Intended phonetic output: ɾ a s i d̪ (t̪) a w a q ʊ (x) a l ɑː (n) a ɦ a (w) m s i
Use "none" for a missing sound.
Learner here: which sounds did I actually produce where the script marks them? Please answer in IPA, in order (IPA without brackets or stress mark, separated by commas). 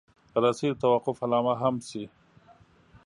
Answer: t̪, f, m, none